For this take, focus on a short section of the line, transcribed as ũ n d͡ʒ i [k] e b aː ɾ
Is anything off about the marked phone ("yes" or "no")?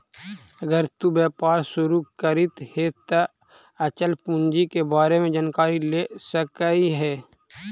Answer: no